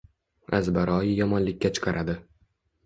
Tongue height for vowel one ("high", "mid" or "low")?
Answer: low